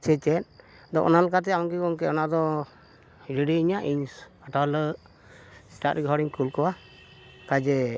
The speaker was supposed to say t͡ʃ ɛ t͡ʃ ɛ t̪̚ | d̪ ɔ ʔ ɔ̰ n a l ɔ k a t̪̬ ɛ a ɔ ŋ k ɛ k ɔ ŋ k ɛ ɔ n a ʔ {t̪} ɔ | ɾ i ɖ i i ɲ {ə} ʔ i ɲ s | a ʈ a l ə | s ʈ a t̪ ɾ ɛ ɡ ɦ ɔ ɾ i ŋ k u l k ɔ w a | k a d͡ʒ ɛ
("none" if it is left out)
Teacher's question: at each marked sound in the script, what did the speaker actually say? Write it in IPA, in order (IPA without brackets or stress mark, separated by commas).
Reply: d̪, a